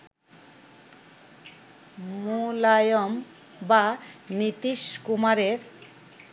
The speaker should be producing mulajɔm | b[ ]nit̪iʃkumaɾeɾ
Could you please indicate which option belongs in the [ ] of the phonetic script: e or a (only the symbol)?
a